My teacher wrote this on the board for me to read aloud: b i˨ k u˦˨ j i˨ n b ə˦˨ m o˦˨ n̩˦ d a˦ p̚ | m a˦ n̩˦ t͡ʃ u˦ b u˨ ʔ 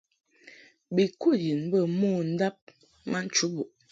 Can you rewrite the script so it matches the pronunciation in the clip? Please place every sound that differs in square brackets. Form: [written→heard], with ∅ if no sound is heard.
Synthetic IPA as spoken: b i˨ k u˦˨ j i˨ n b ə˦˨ m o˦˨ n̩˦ d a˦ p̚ | m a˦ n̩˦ t͡ʃ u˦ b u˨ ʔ